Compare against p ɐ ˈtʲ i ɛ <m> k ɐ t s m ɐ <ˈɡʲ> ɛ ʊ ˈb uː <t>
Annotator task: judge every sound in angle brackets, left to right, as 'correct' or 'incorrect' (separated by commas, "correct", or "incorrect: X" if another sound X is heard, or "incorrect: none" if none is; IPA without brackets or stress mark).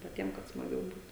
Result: correct, correct, correct